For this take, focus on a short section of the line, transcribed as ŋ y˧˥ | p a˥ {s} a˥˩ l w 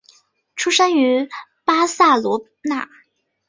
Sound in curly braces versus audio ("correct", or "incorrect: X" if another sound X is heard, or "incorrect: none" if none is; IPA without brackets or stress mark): correct